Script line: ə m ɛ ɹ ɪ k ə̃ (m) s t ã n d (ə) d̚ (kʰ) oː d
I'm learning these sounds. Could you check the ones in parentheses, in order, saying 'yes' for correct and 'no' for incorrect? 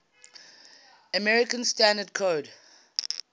no, yes, yes

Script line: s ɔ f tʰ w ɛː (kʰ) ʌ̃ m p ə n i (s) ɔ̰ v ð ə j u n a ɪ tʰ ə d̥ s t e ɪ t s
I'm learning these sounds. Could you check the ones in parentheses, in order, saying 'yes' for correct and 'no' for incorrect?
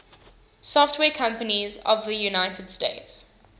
yes, no

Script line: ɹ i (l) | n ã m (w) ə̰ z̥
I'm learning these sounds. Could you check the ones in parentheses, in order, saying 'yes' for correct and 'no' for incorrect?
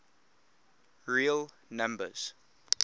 yes, no

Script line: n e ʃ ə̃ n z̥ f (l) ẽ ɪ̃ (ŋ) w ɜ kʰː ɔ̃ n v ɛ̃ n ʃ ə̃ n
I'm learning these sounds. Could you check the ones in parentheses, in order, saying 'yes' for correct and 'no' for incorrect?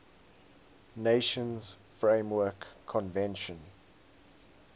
no, no

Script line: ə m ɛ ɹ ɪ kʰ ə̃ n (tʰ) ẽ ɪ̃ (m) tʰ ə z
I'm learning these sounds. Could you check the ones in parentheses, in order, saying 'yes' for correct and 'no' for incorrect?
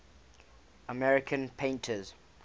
no, no

